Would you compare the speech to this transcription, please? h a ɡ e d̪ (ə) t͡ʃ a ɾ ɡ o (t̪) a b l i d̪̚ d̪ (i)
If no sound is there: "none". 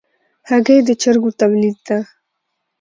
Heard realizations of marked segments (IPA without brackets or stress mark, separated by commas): ə, t̪, a